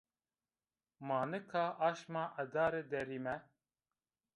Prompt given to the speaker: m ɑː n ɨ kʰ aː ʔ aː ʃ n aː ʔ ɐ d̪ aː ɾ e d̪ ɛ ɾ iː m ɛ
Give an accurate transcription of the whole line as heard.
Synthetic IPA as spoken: m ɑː n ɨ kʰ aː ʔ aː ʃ m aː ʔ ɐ d̪ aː ɾ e d̪ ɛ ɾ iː m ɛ